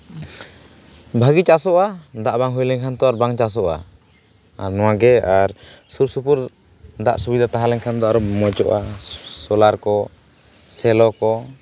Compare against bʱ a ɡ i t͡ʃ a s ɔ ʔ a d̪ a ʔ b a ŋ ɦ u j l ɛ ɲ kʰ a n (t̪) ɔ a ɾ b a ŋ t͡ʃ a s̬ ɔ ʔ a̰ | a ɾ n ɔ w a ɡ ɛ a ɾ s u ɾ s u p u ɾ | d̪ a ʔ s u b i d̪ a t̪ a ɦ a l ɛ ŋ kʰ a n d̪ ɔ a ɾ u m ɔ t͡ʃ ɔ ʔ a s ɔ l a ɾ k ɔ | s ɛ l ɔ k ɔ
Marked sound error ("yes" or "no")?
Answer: no